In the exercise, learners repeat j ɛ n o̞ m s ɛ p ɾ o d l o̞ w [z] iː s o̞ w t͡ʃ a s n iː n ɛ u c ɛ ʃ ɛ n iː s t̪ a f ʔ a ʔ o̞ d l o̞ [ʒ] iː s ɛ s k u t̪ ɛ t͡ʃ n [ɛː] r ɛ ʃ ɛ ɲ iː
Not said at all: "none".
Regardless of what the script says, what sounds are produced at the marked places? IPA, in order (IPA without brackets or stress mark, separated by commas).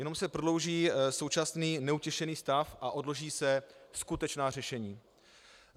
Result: ʒ, ʒ, aː